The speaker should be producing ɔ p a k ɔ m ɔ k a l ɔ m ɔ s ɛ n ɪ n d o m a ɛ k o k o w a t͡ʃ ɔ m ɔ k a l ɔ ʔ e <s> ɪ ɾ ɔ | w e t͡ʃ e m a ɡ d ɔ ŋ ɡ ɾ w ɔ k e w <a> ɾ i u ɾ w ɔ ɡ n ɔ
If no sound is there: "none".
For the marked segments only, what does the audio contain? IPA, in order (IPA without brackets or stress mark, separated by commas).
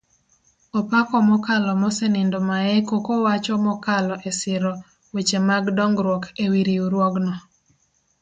s, i